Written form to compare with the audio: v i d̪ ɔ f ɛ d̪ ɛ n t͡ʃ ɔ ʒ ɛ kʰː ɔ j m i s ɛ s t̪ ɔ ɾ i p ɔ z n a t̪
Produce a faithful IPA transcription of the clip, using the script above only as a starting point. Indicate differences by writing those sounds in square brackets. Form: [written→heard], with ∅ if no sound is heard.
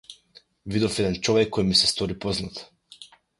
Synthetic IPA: v i d̪ ɔ f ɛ d̪ ɛ n t͡ʃ ɔ [ʒ→v] ɛ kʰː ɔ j m i s ɛ s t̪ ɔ ɾ i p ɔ z n a t̪

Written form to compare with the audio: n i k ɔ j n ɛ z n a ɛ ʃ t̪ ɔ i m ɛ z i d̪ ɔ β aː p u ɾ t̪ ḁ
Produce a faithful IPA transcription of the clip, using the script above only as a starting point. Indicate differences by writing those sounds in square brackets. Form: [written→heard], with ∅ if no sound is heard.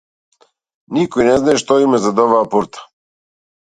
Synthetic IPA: n i k ɔ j n ɛ z n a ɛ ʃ t̪ ɔ i m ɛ z [i→a] d̪ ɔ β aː p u ɾ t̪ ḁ

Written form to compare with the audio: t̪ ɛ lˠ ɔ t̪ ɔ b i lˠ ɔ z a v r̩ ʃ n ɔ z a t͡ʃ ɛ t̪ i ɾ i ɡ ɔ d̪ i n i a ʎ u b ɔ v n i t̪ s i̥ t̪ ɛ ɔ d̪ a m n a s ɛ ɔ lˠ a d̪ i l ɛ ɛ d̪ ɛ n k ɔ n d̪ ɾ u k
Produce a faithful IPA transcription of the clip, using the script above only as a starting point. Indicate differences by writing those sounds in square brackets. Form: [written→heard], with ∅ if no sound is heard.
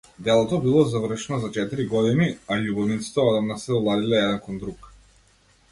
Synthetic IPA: [t̪→d̪] ɛ lˠ ɔ t̪ ɔ b i lˠ ɔ z a v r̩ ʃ n ɔ z a t͡ʃ ɛ t̪ i ɾ i ɡ ɔ d̪ i n i a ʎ u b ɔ v n i t̪ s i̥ t̪ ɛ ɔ d̪ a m n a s ɛ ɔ lˠ a d̪ i l ɛ ɛ d̪ ɛ n k ɔ n d̪ ɾ u k

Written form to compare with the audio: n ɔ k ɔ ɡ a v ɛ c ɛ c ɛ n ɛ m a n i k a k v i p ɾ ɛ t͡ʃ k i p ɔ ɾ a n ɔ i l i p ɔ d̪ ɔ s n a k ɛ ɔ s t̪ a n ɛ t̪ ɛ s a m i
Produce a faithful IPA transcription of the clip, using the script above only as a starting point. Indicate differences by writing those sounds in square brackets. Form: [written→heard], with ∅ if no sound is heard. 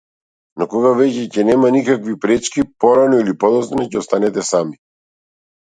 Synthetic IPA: n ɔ k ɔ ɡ a v ɛ c ɛ c ɛ n ɛ m a n i k a k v i p ɾ ɛ t͡ʃ k i p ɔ ɾ a n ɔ i l i p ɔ d̪ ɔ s n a [k→c] ɛ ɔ s t̪ a n ɛ t̪ ɛ s a m i

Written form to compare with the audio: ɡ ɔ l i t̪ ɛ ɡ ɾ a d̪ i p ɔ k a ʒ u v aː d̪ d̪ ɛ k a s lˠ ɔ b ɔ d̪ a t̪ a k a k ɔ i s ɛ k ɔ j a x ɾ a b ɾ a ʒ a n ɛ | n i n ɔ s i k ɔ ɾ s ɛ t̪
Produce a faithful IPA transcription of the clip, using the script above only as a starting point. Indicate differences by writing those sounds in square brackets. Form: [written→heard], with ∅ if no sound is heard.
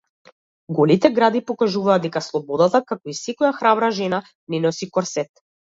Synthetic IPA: ɡ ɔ l i t̪ ɛ ɡ ɾ a d̪ i p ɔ k a ʒ u v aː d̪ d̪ ɛ k a s lˠ ɔ b ɔ d̪ a t̪ a k a k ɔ i s ɛ k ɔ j a x ɾ a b ɾ a ʒ [a→ɛ] n [ɛ→a] | n [i→ɛ] n ɔ s i k ɔ ɾ s ɛ t̪

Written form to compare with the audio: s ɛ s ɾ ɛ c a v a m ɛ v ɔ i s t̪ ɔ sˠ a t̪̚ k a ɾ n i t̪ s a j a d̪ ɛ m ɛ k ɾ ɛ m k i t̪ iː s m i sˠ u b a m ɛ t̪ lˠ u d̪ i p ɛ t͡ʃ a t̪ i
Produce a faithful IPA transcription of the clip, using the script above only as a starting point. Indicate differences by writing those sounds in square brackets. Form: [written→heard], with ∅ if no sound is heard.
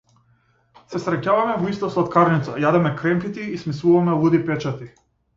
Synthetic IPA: s ɛ s ɾ ɛ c a v a m ɛ v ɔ i s t̪ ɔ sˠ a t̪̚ k a ɾ n i t̪ s a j a d̪ ɛ m ɛ k ɾ ɛ m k i t̪ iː s m i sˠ u [b→v] a m ɛ [t̪→∅] lˠ u d̪ i p ɛ t͡ʃ a t̪ i

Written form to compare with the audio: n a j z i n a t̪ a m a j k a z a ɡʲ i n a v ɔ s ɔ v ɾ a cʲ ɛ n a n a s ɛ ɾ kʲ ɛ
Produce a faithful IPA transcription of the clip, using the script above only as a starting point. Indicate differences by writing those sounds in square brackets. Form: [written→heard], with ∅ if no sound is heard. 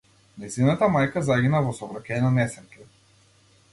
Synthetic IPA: n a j z i n a t̪ a m a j k a z a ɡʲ i n a v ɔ s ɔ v ɾ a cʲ ɛ n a n [a→ɛ] s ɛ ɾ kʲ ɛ

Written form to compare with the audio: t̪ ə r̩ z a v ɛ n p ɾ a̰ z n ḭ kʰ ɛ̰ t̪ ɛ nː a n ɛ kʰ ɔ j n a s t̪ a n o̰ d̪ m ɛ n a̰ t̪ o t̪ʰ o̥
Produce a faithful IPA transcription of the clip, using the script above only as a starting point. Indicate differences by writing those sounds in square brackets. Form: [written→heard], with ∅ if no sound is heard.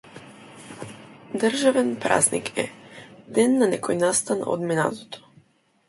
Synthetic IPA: [t̪→d̪] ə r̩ [z→ʒ] a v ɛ n p ɾ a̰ z n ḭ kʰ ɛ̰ [t̪→d̪] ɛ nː a n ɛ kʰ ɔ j n a s t̪ a n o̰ d̪ m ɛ n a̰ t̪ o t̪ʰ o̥

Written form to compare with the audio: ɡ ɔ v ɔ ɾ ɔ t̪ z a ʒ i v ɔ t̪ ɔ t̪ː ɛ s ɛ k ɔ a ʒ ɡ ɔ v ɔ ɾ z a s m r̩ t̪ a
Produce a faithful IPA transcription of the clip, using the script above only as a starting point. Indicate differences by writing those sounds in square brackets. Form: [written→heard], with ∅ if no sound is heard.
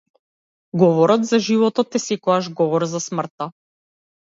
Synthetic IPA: ɡ ɔ v ɔ ɾ ɔ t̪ z a ʒ i v ɔ t̪ ɔ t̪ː ɛ s ɛ k ɔ a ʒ ɡ ɔ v ɔ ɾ z a s m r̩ t̪ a

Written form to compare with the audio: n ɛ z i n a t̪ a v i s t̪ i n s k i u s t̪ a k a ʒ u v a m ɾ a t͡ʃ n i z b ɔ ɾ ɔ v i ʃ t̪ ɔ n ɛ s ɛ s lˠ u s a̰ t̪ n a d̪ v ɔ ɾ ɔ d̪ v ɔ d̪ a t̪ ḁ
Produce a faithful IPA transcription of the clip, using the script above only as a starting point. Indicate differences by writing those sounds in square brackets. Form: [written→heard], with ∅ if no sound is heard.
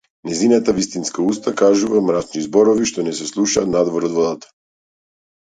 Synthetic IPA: n ɛ z i n a t̪ a v i s t̪ i n s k [i→a] u s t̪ a k a ʒ u v a m ɾ a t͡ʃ n i z b ɔ ɾ ɔ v i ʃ t̪ ɔ n ɛ s ɛ s lˠ u [s→ʃ] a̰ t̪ n a d̪ v ɔ ɾ ɔ d̪ v ɔ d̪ a t̪ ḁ

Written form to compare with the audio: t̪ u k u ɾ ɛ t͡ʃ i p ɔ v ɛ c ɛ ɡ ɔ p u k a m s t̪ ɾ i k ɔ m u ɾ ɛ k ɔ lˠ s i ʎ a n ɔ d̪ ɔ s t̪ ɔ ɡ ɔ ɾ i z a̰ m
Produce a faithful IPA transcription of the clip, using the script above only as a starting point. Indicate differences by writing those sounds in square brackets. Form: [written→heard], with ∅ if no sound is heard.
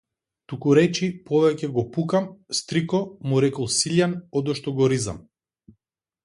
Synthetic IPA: t̪ u k u ɾ ɛ t͡ʃ i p ɔ v ɛ c ɛ ɡ ɔ p u k a m s t̪ ɾ i k ɔ m u ɾ ɛ k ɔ lˠ s i ʎ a n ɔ d̪ ɔ [s→ʃ] t̪ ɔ ɡ ɔ ɾ i z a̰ m

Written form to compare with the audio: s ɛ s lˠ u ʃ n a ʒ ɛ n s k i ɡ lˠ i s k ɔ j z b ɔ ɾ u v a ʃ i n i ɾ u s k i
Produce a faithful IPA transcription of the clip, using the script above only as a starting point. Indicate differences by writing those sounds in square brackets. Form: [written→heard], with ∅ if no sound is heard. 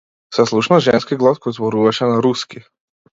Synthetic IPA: s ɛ s lˠ u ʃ n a ʒ ɛ n s k i ɡ lˠ [i→a] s k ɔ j z b ɔ ɾ u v a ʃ [i→ɛ] n [i→a] ɾ u s k i

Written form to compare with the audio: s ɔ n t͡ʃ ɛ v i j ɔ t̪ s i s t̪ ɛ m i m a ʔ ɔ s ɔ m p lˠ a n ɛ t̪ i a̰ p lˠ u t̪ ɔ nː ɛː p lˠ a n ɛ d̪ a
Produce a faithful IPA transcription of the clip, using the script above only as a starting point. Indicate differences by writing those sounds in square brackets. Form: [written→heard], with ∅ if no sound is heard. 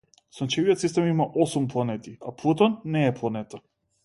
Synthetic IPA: s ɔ n t͡ʃ ɛ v i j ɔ t̪ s i s t̪ ɛ m i m a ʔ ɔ s [ɔ→u] m p lˠ a n ɛ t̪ i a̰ p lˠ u t̪ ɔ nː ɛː p lˠ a n ɛ [d̪→t̪] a

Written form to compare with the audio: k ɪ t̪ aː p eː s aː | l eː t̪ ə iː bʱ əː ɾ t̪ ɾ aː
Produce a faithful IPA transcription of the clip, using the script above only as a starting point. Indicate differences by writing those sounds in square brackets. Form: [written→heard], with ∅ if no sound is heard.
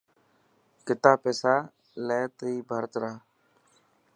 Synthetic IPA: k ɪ t̪ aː p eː s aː | l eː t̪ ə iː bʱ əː ɾ t̪ ɾ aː

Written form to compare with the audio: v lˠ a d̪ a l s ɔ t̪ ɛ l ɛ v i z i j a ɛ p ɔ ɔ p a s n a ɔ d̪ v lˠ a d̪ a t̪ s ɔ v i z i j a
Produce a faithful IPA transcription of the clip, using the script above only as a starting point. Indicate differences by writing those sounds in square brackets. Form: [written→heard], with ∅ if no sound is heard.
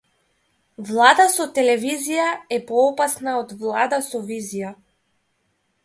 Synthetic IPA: v lˠ a d̪ a [l→∅] s ɔ t̪ ɛ l ɛ v i z i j a ɛ p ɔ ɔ p a s n a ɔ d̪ v lˠ a d̪ a [t̪→∅] s ɔ v i z i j a

